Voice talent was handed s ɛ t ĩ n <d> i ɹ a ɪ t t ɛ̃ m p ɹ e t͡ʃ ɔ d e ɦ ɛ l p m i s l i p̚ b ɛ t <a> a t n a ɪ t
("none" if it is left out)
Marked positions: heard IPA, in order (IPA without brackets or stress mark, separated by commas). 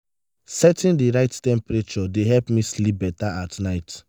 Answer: d, a